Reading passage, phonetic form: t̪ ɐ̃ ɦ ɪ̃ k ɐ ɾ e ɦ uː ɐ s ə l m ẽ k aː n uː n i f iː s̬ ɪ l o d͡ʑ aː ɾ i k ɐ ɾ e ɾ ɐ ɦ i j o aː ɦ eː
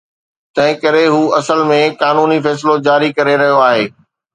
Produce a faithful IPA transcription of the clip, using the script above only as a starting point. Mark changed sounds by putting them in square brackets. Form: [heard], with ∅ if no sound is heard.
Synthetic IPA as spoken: t̪ ɐ̃ ɦ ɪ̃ k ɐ ɾ e ɦ uː ɐ s ə l m ẽ k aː n uː n i f [ɛː] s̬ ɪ l o d͡ʑ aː ɾ i k ɐ ɾ e ɾ ɐ ɦ i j o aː ɦ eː